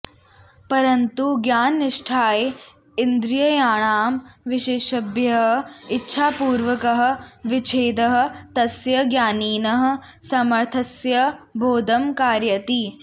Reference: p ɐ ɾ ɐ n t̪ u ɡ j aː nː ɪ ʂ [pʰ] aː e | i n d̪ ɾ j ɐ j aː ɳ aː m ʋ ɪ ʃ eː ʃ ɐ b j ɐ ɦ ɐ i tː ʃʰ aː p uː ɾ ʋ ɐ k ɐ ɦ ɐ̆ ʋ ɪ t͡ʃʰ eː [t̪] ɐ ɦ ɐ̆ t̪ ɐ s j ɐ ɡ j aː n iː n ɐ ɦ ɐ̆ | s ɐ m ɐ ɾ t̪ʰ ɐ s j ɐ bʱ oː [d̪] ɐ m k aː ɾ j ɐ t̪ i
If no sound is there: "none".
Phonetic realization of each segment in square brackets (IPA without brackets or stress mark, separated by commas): ʈʰ, d̪, d̪